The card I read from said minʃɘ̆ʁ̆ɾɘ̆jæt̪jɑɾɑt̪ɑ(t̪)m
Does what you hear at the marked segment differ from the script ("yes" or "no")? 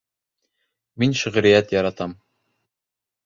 yes